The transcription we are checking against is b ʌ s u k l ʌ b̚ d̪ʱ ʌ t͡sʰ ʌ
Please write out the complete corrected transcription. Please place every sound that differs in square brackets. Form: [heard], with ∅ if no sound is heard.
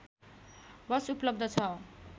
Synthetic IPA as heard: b ʌ s u [p] l ʌ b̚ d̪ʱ ʌ t͡sʰ ʌ